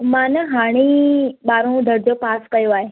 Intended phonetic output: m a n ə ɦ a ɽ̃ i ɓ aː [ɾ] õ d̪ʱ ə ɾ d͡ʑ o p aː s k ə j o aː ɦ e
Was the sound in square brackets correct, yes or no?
yes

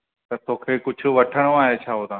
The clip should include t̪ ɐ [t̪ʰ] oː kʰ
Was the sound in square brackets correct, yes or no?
no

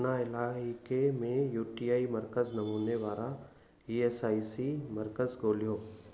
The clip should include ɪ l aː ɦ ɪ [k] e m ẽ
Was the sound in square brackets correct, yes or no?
yes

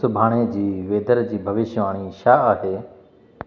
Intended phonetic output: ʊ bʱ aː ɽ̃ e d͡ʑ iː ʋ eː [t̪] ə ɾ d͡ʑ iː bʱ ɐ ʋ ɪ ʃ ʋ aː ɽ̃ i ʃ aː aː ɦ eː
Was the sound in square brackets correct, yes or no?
no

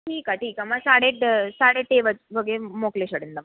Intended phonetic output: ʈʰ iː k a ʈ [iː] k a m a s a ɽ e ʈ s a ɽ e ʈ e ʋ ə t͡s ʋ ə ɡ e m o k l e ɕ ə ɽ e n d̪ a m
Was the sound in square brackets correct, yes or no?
yes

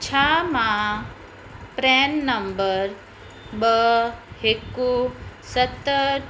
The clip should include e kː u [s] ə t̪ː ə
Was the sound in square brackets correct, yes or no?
yes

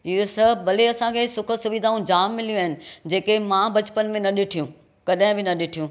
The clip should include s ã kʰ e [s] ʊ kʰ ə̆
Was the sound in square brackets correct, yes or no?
yes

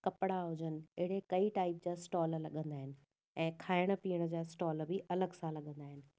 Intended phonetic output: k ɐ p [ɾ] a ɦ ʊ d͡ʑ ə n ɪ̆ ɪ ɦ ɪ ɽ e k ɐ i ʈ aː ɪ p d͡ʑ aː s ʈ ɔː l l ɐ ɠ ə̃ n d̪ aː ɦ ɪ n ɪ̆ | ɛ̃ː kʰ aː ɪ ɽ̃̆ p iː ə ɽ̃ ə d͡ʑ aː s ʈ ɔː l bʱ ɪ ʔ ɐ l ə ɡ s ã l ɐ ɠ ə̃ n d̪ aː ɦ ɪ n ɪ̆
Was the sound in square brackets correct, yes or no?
no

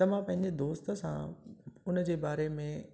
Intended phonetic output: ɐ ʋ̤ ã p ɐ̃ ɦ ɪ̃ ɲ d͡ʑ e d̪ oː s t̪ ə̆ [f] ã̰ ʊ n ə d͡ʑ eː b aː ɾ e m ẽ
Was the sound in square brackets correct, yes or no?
no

